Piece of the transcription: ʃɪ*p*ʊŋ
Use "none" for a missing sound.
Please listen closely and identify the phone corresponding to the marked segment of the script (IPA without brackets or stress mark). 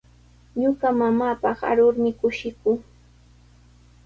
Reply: k